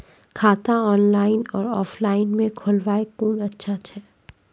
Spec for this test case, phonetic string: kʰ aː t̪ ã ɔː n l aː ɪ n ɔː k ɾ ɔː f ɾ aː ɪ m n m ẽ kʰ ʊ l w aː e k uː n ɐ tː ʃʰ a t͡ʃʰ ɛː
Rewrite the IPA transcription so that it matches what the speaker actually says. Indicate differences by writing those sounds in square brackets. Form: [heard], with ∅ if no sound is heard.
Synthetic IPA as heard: kʰ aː t̪ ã ɔː n l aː ɪ n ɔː [∅] ɾ ɔː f [l] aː ɪ [∅] n m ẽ kʰ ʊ l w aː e k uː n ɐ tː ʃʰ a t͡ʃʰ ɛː